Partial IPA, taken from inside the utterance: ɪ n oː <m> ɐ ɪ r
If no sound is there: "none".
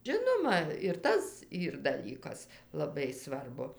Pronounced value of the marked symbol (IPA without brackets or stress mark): m